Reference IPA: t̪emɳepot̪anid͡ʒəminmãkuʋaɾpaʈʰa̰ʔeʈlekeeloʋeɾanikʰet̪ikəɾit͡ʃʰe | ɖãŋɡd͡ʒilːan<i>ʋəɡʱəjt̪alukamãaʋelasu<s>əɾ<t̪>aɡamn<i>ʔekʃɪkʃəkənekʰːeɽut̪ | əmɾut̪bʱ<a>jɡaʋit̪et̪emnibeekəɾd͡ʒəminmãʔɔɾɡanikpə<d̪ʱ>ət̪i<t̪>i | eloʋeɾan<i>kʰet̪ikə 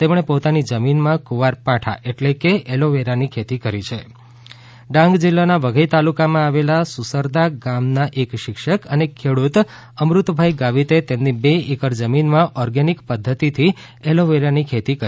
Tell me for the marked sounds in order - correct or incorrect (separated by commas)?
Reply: incorrect, correct, incorrect, incorrect, correct, incorrect, incorrect, correct